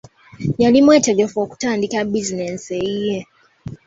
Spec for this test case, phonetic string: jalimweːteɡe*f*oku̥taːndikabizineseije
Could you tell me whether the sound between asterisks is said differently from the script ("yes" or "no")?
no